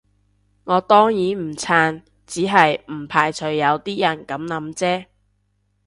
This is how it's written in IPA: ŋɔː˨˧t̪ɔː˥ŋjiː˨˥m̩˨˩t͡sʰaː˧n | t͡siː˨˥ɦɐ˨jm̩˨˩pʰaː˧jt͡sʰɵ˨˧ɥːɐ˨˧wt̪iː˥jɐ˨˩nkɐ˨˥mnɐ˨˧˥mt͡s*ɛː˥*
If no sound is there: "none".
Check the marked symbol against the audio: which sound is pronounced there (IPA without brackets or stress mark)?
ɛː˥